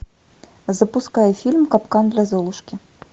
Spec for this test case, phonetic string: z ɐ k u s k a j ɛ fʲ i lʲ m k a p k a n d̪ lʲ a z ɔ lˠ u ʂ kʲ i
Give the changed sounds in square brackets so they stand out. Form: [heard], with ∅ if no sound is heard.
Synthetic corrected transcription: z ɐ [p] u s k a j ɛ fʲ i lʲ m k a p k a n d̪ lʲ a z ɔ lˠ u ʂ kʲ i